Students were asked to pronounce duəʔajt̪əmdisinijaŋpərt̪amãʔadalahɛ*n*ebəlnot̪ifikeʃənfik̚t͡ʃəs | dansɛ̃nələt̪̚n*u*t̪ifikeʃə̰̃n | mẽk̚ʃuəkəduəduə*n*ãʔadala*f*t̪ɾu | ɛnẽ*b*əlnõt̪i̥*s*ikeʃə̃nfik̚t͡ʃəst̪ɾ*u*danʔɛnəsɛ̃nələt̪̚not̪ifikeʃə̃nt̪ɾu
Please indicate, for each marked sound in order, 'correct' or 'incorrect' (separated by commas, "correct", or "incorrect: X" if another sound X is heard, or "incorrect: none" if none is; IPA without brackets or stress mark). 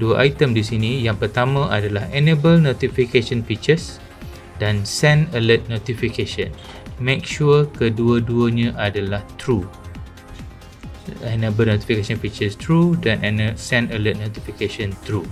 correct, incorrect: o, incorrect: ɲ, incorrect: h, correct, incorrect: f, correct